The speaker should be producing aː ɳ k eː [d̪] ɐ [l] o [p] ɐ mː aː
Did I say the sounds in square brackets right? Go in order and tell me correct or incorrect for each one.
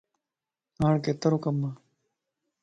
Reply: incorrect: t̪, incorrect: ɾ, incorrect: k

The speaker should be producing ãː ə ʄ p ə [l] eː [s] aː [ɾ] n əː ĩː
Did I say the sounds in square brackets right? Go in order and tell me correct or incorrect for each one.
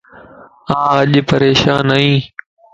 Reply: incorrect: ɾ, incorrect: ʃ, incorrect: none

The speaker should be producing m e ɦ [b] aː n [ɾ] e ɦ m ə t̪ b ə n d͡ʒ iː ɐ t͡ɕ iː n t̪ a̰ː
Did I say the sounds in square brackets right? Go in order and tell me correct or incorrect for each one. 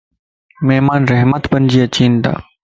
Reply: incorrect: m, correct

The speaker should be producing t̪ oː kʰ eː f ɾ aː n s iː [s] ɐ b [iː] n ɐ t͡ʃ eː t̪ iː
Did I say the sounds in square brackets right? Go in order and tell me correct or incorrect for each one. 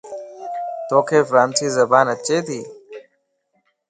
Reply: incorrect: z, incorrect: aː

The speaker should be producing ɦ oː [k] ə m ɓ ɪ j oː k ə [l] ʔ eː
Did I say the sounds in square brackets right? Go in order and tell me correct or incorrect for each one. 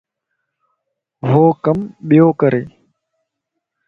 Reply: correct, incorrect: ɾ

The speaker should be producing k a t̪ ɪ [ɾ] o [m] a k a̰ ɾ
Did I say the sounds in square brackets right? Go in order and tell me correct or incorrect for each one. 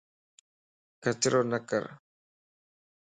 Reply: correct, incorrect: n

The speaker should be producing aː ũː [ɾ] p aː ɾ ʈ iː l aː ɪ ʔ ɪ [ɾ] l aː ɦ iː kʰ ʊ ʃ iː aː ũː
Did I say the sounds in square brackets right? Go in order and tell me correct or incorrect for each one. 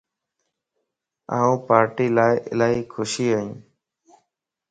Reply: incorrect: none, incorrect: none

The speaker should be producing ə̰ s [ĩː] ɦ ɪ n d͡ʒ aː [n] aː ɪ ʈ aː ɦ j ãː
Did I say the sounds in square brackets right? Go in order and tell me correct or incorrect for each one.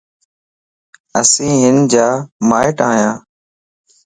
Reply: correct, incorrect: m

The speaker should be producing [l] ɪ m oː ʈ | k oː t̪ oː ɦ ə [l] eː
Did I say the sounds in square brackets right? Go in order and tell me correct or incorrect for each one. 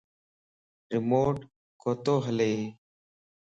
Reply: incorrect: ɾ, correct

